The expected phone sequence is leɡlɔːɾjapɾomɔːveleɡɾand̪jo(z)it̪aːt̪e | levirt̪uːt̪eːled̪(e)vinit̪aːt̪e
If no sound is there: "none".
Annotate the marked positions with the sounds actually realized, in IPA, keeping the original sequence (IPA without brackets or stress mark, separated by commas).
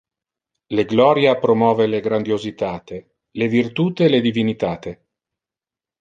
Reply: z, i